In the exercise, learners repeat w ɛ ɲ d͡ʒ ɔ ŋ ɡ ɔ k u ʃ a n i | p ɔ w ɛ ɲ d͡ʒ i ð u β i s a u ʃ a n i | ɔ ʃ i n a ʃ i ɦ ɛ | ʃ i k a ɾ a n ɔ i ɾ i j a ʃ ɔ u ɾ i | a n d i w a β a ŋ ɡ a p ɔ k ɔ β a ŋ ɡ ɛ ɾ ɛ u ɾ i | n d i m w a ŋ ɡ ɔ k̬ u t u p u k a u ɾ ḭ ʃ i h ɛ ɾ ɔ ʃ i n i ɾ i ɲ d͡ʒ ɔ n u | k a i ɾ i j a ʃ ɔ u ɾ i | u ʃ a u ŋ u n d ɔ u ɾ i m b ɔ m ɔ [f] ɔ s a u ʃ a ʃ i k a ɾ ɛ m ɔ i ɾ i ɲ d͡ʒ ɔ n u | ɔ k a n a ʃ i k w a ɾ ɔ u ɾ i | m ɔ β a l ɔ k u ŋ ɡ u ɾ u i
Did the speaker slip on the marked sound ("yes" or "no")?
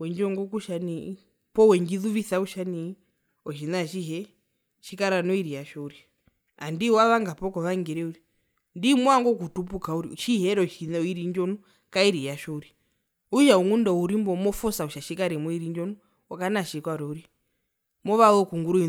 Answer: no